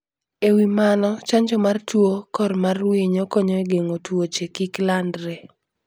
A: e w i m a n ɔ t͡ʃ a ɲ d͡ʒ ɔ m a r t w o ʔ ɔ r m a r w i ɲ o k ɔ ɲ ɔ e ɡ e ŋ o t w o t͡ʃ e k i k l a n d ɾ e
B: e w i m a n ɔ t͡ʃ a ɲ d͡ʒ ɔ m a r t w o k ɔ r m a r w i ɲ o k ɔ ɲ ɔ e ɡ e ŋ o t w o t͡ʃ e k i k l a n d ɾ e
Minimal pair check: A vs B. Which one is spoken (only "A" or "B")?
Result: B